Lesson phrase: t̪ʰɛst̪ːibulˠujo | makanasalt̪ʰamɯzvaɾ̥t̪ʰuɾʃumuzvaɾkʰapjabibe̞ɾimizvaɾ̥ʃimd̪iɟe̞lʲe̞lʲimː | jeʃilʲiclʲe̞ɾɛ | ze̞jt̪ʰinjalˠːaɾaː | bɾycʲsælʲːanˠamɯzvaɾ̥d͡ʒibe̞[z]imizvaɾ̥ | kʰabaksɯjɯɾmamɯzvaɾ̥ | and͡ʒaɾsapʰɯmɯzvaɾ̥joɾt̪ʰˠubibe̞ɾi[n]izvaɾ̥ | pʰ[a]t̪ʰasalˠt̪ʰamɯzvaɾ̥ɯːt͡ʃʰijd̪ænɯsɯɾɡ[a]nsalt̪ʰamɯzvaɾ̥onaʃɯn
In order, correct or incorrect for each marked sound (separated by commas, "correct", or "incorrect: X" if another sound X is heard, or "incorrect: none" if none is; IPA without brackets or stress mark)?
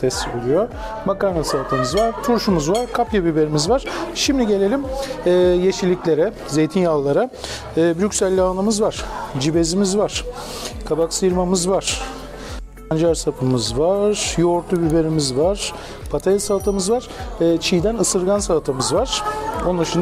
correct, incorrect: m, correct, correct